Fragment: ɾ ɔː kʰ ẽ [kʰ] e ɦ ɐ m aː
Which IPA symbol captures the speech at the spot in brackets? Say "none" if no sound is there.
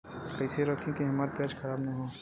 k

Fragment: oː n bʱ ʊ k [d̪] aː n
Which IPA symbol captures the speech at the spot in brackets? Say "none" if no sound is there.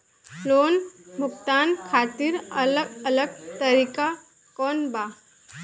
t̪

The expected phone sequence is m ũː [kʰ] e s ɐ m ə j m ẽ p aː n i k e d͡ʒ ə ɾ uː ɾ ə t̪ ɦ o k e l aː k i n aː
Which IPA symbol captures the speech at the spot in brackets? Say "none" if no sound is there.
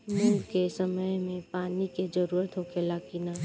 k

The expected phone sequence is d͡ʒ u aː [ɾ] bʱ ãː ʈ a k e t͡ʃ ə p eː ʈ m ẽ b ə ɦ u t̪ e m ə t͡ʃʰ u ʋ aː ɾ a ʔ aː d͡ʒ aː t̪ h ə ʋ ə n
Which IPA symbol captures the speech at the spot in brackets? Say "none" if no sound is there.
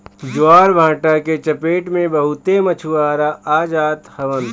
ɾ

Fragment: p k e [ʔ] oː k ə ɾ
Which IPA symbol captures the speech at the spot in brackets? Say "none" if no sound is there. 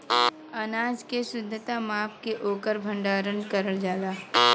ʔ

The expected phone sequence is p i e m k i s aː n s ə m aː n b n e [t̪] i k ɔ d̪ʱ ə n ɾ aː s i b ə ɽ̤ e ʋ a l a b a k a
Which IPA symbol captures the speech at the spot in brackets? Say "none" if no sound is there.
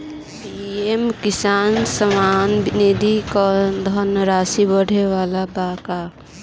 d̪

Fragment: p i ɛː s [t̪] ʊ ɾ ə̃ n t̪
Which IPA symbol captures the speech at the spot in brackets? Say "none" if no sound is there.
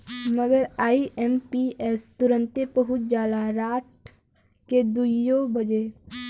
t̪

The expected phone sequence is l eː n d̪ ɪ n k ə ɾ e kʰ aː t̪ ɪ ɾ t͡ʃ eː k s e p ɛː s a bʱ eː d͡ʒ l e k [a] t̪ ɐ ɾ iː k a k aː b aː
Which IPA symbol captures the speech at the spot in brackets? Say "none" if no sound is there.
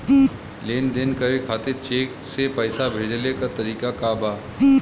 a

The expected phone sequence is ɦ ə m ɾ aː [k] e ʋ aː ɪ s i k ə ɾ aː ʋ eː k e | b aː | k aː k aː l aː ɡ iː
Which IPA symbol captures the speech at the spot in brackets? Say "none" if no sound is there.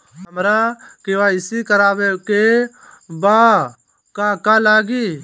k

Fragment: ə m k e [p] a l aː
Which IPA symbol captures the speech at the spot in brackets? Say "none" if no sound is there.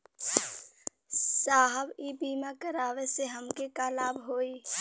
k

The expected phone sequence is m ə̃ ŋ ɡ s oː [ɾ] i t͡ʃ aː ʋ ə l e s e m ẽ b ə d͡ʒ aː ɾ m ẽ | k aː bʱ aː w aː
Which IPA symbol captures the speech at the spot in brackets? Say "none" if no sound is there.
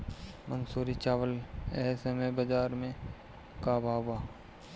ɾ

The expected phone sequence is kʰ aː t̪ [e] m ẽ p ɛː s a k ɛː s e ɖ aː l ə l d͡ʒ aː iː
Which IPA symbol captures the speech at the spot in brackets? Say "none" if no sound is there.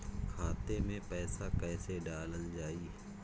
e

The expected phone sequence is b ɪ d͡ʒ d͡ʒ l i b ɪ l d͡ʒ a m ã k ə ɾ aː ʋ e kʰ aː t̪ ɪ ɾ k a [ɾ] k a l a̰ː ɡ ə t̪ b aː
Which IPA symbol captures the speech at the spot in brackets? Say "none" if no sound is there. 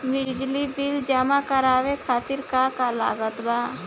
none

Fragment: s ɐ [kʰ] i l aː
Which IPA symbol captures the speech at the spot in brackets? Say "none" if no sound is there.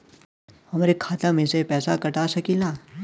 k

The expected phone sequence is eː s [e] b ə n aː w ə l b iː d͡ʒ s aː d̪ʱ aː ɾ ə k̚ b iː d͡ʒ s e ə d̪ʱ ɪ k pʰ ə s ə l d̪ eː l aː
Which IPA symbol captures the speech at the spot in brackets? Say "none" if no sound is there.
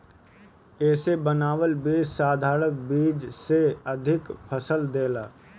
e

